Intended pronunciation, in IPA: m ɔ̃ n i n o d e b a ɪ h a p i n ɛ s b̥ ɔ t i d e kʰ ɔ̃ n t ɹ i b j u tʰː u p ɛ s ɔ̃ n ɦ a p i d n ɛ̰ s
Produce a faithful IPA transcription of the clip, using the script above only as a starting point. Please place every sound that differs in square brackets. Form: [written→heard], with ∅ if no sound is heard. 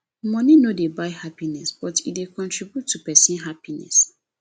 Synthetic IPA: m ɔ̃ n i n o d e b a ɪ h a p i n ɛ s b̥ ɔ t i d e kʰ ɔ̃ n t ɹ i b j u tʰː u p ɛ s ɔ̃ n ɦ a p i [d→∅] n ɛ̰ s